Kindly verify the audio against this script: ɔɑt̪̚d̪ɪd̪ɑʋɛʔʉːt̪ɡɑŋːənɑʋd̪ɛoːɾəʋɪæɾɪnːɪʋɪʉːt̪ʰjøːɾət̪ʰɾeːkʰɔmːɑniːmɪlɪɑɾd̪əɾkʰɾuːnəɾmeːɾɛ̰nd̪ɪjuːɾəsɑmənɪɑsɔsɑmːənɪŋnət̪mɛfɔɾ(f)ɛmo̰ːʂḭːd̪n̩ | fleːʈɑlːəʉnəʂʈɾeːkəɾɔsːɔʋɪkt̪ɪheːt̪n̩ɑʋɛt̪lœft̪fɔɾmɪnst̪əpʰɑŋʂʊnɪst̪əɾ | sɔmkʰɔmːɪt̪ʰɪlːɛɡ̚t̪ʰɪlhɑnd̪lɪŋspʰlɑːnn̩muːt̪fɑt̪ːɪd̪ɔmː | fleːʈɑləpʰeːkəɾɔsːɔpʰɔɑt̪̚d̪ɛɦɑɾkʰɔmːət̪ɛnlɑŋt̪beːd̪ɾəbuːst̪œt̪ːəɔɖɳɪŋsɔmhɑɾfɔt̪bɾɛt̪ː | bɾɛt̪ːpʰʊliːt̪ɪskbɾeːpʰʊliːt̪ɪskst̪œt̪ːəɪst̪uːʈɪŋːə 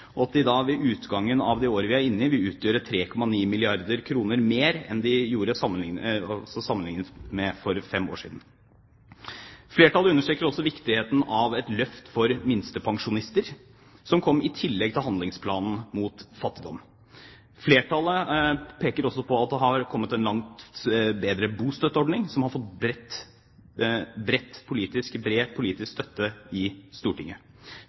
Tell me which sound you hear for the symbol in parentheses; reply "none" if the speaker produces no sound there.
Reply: f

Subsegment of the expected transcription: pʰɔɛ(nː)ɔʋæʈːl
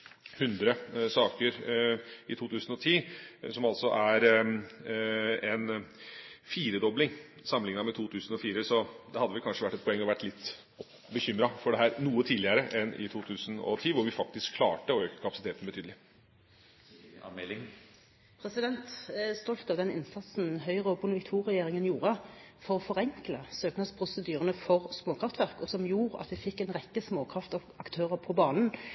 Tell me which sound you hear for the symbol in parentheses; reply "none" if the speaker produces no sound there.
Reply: ŋː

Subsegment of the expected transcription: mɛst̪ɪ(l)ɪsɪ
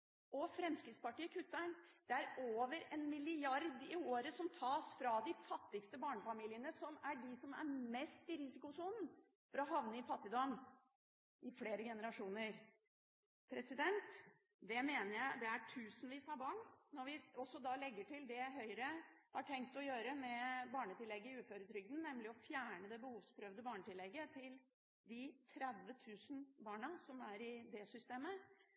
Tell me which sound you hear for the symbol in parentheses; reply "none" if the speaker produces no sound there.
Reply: ɾ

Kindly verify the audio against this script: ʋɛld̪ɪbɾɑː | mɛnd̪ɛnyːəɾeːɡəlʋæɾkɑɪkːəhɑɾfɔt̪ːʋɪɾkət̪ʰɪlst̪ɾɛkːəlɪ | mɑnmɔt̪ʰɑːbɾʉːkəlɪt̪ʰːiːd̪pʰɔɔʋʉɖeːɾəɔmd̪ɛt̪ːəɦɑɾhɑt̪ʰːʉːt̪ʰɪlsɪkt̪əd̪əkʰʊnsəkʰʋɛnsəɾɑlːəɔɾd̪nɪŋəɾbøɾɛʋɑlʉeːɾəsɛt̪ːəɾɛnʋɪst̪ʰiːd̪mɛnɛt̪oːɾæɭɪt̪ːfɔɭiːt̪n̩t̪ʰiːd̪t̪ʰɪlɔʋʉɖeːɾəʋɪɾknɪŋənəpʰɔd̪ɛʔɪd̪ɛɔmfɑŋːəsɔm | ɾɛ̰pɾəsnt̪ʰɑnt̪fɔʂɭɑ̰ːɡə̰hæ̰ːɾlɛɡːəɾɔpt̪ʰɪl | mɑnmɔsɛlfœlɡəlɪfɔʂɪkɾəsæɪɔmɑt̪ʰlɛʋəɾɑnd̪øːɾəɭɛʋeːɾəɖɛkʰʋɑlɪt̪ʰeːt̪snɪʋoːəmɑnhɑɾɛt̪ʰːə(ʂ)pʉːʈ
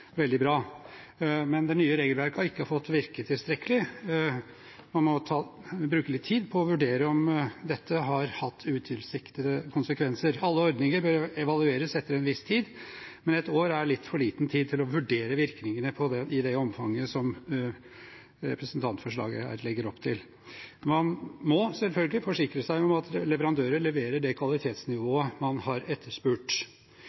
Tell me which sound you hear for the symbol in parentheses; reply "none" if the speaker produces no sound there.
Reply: ʂ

